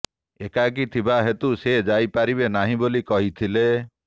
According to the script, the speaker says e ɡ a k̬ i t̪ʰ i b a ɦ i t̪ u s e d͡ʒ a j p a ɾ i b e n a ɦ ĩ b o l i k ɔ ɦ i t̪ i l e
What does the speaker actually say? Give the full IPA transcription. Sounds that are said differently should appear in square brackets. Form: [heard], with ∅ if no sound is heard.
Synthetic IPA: e [k] a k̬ i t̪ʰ i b a ɦ [e] t̪ u s e d͡ʒ a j p a ɾ i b e n a ɦ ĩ b o l i k ɔ ɦ i [t̪ʰ] i l e